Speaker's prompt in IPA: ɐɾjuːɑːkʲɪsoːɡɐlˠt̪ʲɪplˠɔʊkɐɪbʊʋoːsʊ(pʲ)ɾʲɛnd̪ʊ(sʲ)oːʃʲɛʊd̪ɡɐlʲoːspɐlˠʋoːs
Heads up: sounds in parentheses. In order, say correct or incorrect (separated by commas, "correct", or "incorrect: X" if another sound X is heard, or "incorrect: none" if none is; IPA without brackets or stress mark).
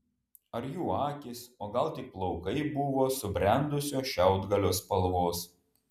incorrect: bʲ, correct